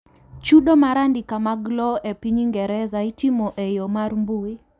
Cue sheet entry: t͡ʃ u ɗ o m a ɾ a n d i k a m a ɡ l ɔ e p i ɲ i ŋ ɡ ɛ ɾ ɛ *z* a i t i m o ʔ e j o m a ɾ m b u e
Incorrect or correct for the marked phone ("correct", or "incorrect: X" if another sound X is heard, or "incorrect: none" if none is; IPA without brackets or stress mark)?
correct